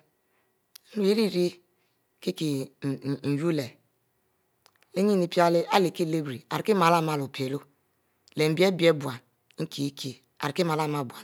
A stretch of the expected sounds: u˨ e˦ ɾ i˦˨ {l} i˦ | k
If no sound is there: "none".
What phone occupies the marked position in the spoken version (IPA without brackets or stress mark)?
ɾ